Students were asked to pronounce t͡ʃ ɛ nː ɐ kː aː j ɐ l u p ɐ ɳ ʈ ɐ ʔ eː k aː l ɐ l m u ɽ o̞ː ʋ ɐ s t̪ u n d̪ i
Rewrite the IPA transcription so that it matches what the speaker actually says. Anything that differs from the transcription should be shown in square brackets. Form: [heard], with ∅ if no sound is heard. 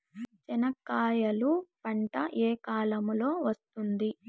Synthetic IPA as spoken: t͡ʃ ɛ [n] ɐ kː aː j ɐ l u p ɐ ɳ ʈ ɐ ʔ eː k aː l ɐ [∅] m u [l] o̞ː ʋ ɐ s t̪ u n d̪ i